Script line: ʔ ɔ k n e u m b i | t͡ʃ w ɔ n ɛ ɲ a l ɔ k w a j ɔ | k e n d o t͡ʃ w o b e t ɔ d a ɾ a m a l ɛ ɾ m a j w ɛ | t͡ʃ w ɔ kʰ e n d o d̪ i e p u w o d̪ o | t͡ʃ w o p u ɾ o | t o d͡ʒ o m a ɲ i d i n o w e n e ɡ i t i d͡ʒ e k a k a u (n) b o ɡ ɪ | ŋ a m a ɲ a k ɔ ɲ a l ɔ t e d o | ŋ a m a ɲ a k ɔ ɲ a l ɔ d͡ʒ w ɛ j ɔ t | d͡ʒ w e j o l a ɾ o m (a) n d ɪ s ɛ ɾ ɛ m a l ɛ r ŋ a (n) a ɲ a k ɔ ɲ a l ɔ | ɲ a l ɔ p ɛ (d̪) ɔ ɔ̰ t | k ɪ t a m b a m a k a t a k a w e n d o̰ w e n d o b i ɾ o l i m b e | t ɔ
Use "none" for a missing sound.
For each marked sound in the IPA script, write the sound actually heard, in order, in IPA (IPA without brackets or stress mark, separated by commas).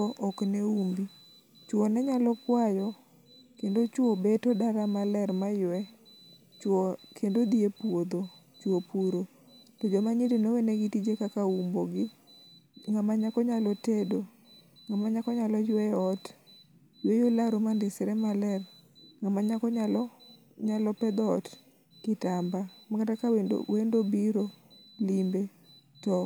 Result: m, a, m, d̪